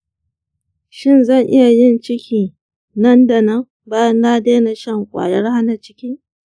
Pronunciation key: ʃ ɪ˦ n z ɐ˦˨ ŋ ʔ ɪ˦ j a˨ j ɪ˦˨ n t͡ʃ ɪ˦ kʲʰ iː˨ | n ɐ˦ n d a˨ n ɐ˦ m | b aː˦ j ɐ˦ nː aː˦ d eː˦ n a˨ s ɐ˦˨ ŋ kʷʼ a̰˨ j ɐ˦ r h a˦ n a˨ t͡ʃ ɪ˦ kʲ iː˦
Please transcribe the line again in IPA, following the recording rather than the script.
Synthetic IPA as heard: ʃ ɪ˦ n z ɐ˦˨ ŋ ʔ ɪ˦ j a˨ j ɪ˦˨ n t͡ʃ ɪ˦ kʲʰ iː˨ | n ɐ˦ n d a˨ n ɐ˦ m | b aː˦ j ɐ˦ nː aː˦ d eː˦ n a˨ ʃ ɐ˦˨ ŋ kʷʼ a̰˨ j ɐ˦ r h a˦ n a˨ t͡ʃ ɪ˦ kʲ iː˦